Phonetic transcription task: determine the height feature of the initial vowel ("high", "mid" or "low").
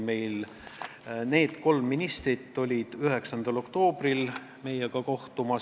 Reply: mid